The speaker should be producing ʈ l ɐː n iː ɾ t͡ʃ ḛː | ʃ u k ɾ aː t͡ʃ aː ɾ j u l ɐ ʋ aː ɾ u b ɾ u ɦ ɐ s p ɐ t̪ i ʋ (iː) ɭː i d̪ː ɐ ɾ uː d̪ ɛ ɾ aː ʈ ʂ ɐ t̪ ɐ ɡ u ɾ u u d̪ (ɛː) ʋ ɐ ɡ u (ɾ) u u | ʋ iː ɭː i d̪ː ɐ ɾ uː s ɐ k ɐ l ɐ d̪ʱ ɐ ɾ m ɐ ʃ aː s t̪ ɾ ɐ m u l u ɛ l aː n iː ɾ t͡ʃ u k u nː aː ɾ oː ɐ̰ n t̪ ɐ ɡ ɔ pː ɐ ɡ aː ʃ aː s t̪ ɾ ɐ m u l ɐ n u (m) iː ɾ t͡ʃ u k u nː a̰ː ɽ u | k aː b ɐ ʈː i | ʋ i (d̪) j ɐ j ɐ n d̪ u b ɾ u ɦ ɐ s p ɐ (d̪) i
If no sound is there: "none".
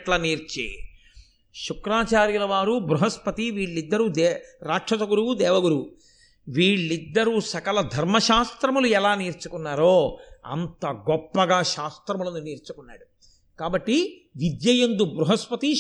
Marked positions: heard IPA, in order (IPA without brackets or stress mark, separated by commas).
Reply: iː, ɛː, ɾ, n, d̪, t̪